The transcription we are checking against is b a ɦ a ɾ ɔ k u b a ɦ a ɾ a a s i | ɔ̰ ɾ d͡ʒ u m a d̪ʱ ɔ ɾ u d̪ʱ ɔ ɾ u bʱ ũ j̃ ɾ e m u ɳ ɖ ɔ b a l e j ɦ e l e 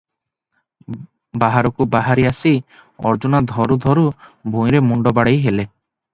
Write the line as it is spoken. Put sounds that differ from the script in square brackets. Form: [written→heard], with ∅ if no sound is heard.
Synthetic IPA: b a ɦ a ɾ ɔ k u b a ɦ a ɾ [a→i] a s i | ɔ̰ ɾ d͡ʒ u [m→n] a d̪ʱ ɔ ɾ u d̪ʱ ɔ ɾ u bʱ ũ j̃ ɾ e m u ɳ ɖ ɔ b a [l→ɽ] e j ɦ e l e